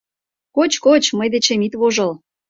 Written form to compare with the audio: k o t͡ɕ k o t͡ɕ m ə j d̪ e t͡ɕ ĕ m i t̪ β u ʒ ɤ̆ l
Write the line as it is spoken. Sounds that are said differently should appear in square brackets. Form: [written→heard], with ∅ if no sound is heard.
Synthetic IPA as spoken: k o t͡ɕ k o t͡ɕ m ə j d̪ e t͡ɕ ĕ m i t̪ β [u→o] ʒ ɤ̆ l

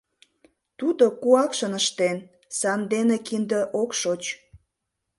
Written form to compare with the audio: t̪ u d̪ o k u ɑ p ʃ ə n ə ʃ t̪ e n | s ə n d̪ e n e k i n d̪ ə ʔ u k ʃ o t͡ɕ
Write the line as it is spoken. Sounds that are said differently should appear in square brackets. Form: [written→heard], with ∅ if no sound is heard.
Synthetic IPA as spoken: t̪ u d̪ o k u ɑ [p→k] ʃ ə n ə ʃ t̪ e n | s [ə→ɑ] n d̪ e n e k i n d̪ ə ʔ [u→o] k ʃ o t͡ɕ

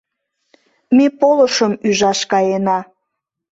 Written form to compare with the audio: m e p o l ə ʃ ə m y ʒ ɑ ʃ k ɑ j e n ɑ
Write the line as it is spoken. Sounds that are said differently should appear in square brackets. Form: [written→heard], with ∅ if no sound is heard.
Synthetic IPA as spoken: m e p o l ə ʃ ə m y ʒ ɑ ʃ k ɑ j e n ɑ

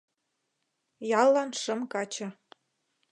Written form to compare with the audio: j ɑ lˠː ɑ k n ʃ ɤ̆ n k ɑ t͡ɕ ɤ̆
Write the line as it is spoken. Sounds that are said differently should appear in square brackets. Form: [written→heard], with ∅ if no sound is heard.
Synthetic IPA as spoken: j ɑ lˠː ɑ [k→∅] n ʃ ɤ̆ [n→m] k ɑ t͡ɕ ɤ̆

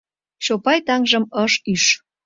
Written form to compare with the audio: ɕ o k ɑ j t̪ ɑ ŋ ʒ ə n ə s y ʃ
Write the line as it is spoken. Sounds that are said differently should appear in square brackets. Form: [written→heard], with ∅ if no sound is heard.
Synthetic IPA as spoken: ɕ o [k→p] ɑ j t̪ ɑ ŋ ʒ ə [n→m] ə [s→ʃ] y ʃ

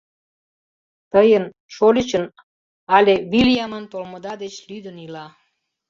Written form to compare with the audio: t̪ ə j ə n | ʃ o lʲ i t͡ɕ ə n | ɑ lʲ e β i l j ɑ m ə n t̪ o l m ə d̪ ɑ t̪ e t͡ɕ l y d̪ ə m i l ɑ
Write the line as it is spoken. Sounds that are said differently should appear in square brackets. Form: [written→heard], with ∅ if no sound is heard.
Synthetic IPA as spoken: t̪ ə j ə n | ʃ o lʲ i t͡ɕ ə n | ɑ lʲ e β i l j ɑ m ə n t̪ o l m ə d̪ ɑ [t̪→d̪] e t͡ɕ l y d̪ ə [m→n] i l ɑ

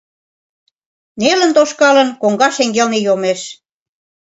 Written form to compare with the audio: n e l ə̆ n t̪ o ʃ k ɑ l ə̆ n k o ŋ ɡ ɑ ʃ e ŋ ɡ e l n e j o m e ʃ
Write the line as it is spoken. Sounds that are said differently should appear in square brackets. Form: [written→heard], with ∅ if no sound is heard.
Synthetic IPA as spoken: n e l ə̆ n t̪ o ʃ k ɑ l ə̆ n k o ŋ ɡ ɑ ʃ e ŋ ɡ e l n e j o m e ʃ

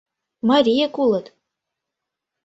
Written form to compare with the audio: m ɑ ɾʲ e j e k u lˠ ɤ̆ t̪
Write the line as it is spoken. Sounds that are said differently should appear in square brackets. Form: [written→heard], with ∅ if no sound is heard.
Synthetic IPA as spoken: m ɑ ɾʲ [e→i] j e k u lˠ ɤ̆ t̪

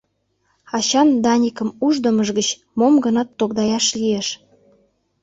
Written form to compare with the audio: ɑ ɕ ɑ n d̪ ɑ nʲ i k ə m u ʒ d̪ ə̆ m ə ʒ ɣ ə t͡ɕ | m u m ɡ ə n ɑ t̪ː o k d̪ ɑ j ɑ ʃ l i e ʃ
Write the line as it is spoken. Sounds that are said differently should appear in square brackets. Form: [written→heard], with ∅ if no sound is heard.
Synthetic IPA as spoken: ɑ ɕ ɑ n d̪ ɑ nʲ i k ə m u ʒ d̪ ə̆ m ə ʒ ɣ ə t͡ɕ | m [u→o] m ɡ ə n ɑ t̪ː o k d̪ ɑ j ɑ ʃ l i e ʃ

